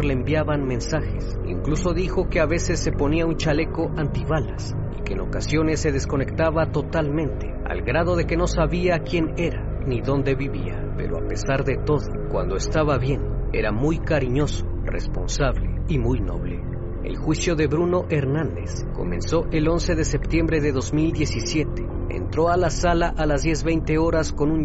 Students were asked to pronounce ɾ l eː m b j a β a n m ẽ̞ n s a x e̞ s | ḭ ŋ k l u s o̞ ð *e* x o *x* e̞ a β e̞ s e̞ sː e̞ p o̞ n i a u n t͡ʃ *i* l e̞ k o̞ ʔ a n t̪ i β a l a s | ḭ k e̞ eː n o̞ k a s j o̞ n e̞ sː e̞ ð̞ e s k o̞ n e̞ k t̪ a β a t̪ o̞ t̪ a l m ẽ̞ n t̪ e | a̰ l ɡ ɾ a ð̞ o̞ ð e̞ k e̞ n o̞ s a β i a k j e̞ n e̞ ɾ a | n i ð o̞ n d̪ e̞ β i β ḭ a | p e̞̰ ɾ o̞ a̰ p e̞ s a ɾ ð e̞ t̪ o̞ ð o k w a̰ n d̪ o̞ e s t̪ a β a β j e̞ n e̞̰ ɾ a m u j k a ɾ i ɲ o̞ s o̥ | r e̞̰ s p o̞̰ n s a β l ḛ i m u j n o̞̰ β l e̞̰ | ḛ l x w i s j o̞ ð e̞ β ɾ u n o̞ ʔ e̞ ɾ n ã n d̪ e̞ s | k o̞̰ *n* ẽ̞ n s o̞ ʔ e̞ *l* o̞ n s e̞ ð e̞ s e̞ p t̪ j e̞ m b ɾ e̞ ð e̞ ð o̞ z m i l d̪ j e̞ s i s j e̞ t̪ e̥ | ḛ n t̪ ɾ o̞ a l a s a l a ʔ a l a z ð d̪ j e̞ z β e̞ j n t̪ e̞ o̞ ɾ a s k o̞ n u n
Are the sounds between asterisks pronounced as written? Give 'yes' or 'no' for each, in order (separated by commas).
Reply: no, no, no, no, yes